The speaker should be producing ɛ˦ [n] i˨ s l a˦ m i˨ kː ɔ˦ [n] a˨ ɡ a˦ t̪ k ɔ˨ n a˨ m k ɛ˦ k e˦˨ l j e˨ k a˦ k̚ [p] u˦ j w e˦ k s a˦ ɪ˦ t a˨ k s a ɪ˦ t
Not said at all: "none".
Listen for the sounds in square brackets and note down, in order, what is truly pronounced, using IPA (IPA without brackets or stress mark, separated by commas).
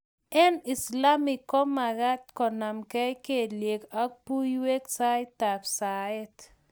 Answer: n, m, p